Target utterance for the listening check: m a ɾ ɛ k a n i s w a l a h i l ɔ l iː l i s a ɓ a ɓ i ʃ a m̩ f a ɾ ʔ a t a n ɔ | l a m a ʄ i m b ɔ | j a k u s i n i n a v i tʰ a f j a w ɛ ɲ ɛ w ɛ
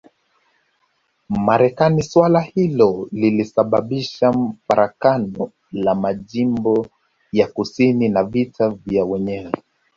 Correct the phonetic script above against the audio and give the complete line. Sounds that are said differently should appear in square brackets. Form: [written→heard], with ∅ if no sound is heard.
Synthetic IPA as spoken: m a ɾ ɛ k a n i s w a l a h i l ɔ l [iː→i] l i s a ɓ a ɓ i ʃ a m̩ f a ɾ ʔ a [t→k] a n ɔ | l a m a ʄ i m b ɔ | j a k u s i n i n a v i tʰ a [f→v] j a w ɛ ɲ ɛ w ɛ